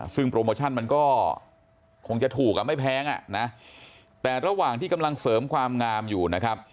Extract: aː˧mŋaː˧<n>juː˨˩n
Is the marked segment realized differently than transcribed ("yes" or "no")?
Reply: yes